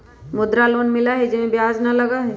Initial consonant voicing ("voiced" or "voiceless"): voiced